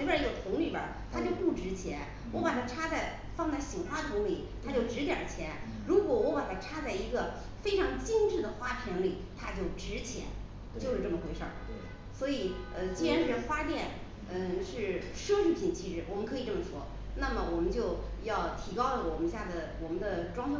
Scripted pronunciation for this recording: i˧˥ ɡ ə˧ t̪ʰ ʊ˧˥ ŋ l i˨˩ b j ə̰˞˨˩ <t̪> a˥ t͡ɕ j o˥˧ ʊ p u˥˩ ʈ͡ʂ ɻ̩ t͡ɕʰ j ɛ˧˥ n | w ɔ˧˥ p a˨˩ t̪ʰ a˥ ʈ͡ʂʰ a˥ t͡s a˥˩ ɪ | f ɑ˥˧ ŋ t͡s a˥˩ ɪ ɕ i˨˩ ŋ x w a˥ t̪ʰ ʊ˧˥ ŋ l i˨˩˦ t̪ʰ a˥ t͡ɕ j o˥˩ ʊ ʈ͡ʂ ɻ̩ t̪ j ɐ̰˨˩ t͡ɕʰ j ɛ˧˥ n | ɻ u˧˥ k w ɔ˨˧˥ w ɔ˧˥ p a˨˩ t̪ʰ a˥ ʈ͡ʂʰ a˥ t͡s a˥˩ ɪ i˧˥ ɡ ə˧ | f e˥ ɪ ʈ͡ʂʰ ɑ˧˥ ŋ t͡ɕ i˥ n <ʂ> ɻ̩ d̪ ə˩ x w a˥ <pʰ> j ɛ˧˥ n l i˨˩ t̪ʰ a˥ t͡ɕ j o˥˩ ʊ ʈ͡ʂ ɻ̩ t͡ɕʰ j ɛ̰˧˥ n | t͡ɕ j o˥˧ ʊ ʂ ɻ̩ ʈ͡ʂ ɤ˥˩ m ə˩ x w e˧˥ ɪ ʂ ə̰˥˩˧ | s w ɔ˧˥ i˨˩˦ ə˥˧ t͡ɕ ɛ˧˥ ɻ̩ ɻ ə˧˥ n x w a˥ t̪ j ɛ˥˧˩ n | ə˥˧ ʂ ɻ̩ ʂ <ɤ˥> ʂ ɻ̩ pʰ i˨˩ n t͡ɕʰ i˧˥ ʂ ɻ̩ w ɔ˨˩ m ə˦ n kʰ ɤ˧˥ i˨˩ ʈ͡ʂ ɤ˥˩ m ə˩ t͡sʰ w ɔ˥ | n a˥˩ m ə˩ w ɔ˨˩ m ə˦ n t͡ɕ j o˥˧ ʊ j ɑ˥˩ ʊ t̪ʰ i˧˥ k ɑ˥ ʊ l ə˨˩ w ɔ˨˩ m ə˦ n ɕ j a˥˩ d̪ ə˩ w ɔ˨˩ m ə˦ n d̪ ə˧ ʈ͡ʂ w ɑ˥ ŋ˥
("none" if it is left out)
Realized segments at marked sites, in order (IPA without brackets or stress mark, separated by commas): t̪ʰ, ʈ͡ʂ, pʰ, ɤ˥